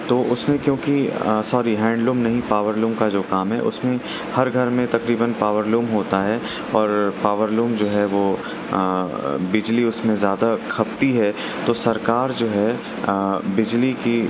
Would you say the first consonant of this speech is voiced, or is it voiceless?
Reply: voiceless